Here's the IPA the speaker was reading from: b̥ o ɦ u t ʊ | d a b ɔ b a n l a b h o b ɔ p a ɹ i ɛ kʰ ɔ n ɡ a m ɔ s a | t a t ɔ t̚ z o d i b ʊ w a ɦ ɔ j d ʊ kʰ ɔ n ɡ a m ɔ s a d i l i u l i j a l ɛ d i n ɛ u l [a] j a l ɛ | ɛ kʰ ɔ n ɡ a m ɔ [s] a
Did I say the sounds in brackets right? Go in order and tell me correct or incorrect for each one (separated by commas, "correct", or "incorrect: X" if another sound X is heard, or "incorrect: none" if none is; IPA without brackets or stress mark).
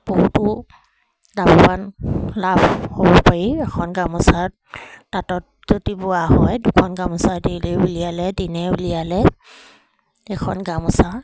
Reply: incorrect: i, correct